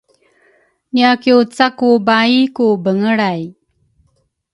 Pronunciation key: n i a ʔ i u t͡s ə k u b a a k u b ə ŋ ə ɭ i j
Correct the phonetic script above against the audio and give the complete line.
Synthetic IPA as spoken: n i a k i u t͡s a k u b a i k u b ə ŋ ə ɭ a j